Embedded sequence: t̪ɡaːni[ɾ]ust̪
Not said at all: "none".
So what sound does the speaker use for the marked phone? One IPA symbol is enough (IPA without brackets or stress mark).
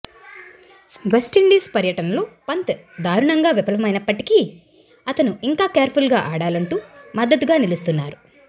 l